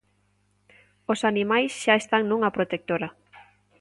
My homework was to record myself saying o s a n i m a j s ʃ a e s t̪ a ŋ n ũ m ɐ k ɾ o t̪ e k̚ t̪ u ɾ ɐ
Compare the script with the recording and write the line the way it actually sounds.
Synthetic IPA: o s a n i m a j s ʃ a e s t̪ a ŋ n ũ ŋ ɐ p ɾ o t̪ e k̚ t̪ o ɾ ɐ